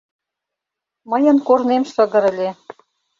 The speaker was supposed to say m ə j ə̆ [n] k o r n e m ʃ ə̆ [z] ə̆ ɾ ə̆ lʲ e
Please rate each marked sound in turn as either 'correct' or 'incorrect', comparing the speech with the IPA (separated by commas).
correct, incorrect